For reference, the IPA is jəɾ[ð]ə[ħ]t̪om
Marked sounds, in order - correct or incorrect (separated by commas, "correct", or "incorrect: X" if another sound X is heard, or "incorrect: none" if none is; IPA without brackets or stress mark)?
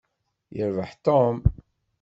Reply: incorrect: v, correct